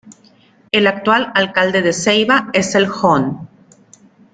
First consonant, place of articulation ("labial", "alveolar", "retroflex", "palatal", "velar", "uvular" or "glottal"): alveolar